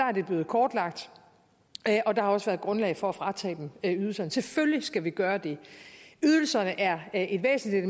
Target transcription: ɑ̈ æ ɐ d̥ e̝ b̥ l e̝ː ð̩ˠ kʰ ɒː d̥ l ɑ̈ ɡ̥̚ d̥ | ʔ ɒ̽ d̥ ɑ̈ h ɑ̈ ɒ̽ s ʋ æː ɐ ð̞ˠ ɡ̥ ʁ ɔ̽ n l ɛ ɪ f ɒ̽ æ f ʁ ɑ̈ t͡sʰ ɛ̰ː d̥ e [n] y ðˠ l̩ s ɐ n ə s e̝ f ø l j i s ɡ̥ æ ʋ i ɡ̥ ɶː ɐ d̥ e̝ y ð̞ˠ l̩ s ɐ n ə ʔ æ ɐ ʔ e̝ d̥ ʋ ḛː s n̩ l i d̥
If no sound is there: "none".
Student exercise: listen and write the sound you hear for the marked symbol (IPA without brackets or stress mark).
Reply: m